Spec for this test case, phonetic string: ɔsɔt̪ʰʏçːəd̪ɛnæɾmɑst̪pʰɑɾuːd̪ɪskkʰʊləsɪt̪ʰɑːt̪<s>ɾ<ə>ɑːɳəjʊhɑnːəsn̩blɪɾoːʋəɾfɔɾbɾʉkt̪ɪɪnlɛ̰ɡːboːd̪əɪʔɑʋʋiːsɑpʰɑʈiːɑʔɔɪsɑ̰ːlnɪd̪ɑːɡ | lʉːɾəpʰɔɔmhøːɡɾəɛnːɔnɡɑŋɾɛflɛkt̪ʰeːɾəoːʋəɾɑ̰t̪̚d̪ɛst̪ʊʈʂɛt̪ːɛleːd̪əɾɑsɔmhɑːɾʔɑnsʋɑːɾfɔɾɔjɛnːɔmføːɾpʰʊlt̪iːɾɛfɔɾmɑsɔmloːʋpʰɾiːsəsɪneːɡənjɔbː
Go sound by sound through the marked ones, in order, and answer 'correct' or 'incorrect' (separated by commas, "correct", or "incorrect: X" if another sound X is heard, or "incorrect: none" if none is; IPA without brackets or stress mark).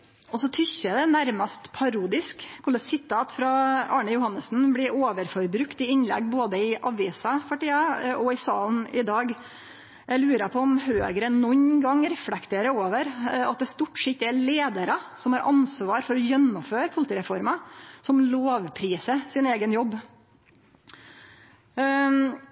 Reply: incorrect: f, incorrect: ɑ